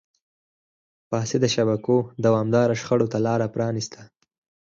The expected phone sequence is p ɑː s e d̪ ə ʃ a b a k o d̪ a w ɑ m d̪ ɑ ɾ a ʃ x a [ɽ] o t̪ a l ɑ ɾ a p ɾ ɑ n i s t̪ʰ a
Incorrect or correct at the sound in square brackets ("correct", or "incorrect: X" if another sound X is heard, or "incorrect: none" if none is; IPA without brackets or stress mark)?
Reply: correct